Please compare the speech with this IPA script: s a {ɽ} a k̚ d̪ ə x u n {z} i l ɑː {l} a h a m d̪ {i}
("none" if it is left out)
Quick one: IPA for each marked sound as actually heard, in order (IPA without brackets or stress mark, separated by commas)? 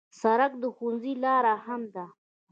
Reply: ɾ, z, ɾ, a